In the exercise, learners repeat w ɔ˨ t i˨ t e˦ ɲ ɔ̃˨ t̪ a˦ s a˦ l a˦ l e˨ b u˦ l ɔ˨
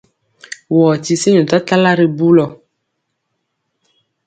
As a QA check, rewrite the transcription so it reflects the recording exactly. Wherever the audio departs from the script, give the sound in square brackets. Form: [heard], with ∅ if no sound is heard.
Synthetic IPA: w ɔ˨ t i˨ [s] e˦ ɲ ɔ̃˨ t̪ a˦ [t] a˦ l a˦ [ɾ] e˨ b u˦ l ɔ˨